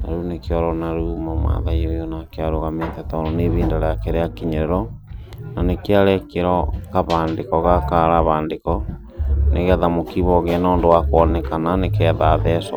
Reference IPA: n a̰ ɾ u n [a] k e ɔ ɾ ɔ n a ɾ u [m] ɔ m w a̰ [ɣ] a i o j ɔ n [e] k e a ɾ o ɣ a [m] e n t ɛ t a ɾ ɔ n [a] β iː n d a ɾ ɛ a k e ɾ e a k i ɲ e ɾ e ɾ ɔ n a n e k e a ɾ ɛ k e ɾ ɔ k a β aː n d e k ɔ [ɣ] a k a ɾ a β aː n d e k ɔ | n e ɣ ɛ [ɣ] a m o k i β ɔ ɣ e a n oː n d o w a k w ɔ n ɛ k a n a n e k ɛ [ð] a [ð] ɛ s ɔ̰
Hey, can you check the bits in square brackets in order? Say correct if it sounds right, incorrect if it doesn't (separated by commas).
incorrect, correct, incorrect, incorrect, correct, incorrect, correct, incorrect, correct, correct